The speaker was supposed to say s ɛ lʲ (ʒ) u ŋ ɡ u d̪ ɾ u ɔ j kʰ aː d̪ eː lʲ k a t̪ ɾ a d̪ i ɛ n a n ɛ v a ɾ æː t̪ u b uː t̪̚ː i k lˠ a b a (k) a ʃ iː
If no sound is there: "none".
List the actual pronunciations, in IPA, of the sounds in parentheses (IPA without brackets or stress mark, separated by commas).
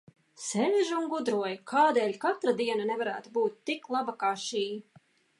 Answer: ʒ, k